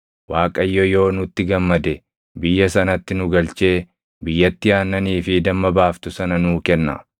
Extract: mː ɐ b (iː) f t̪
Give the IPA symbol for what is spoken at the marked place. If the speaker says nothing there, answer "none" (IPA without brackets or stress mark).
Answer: aː